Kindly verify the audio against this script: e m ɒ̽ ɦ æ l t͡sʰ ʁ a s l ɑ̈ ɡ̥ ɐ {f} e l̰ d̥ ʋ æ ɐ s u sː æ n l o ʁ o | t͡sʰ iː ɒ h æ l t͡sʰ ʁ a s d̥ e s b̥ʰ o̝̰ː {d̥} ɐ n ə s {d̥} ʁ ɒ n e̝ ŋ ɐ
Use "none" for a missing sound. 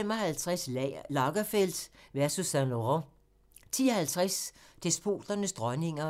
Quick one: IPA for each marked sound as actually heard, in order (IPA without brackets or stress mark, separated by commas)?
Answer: f, d̥, d̥